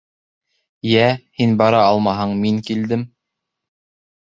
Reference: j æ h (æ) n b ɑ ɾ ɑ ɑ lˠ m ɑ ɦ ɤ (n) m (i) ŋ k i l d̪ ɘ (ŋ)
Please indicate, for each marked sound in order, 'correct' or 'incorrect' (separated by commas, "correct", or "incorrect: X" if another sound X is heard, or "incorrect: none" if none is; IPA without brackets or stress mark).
incorrect: i, incorrect: ɴ, correct, incorrect: m